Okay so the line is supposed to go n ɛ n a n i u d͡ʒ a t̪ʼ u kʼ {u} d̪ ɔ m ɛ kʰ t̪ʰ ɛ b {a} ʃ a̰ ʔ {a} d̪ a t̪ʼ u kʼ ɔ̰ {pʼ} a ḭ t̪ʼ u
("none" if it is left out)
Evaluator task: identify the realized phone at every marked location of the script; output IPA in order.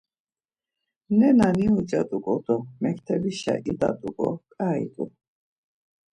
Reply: ɔ, i, i, kʼ

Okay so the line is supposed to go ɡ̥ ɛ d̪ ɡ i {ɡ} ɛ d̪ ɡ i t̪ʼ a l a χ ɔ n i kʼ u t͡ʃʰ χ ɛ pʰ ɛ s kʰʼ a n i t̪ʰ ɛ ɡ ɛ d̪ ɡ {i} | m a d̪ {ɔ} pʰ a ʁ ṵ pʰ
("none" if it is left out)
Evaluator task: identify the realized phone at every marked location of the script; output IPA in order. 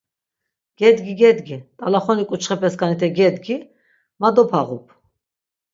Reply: ɡ, i, ɔ

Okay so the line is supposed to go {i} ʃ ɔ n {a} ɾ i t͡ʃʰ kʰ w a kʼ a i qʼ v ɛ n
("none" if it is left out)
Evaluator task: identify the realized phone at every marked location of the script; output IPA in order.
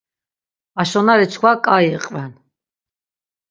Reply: a, a

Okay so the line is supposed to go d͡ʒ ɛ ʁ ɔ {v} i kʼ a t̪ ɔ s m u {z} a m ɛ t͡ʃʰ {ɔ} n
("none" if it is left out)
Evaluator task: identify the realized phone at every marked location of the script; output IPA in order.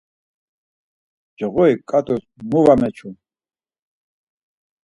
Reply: none, v, u

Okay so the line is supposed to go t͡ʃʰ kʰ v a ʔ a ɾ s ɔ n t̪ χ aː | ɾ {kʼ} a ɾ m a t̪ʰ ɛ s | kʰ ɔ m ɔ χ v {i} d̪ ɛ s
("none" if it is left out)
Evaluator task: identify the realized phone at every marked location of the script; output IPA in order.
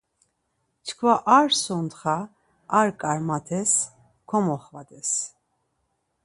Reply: kʼ, a

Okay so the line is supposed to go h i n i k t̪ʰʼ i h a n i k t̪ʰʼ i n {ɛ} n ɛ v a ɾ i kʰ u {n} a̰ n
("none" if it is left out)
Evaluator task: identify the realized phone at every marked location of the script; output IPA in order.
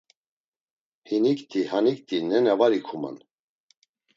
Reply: ɛ, m

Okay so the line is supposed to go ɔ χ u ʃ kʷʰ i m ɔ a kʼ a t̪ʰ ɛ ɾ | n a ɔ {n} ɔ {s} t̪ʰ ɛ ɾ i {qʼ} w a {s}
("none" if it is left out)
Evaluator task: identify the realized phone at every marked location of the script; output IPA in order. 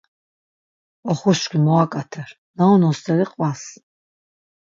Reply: n, s, qʼ, s

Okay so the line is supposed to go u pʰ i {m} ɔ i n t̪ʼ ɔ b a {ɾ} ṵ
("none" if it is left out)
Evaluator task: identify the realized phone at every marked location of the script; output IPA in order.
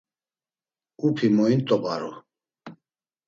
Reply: m, ɾ

